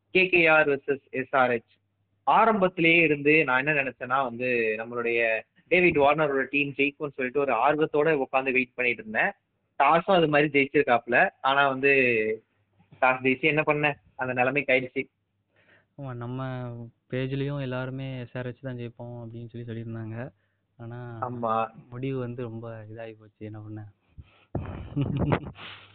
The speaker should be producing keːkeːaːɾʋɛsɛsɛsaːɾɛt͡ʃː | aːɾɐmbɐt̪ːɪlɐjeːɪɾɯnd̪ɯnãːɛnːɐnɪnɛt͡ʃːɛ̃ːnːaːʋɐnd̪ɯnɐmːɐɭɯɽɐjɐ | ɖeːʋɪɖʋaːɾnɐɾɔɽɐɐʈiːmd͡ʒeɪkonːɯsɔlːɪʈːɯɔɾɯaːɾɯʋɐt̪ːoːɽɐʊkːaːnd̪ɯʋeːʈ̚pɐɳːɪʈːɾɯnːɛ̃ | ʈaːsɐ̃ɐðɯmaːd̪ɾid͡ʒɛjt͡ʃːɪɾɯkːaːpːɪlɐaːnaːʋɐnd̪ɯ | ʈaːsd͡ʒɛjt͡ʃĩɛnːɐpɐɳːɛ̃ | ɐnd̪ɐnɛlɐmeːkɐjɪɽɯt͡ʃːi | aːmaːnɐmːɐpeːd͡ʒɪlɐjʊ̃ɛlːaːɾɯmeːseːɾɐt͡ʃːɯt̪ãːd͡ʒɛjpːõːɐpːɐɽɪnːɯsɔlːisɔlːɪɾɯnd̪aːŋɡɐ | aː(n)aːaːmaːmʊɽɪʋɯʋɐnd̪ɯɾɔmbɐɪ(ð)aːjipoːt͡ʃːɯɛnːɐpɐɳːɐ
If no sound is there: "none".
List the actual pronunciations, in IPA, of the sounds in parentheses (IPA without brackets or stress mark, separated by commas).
n, ð